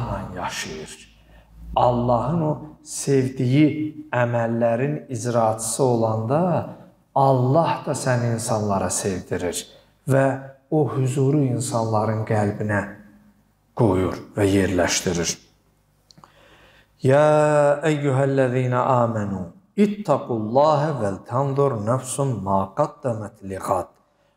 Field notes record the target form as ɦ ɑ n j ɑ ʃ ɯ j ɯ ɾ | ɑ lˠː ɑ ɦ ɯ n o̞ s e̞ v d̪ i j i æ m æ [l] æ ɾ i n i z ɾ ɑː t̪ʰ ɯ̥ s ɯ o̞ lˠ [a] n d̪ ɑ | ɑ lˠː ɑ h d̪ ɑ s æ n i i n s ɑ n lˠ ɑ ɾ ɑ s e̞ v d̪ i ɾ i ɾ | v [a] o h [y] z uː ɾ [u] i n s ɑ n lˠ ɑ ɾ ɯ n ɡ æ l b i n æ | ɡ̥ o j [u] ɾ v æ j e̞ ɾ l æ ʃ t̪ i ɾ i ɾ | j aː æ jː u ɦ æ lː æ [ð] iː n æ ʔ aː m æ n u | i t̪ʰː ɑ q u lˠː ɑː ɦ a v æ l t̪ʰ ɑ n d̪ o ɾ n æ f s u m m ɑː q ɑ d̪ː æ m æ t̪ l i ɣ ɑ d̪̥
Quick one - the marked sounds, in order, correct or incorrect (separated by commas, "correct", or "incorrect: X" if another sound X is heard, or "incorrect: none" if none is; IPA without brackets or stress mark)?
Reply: incorrect: lː, incorrect: ɑ, incorrect: æ, correct, correct, correct, correct